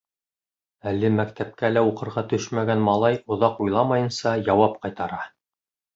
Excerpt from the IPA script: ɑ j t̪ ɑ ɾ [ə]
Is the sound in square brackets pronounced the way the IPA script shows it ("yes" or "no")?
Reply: no